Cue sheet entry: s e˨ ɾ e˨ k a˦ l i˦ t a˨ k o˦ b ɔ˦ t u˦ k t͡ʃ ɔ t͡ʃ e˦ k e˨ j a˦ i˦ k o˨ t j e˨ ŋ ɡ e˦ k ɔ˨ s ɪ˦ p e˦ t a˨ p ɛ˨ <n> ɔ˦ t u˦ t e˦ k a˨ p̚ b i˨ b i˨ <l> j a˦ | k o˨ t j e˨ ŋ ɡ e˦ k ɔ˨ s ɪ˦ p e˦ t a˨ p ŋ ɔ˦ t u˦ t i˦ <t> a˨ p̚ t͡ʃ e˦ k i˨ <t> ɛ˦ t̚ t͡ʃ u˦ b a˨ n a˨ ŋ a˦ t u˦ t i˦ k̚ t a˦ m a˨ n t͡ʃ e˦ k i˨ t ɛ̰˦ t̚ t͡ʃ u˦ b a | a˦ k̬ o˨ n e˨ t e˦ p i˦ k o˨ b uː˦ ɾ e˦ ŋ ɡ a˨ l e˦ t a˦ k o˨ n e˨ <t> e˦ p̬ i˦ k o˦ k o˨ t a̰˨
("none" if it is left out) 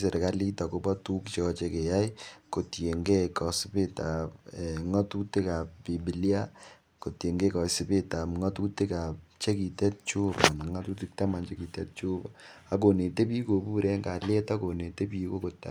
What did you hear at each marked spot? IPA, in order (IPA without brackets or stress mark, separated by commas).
ŋ, l, k, t, t